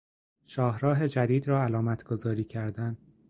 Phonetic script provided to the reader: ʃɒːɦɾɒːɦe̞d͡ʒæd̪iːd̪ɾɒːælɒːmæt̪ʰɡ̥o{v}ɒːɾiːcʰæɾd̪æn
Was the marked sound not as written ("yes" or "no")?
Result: yes